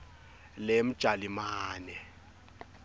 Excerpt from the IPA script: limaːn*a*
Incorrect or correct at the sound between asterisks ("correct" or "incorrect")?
incorrect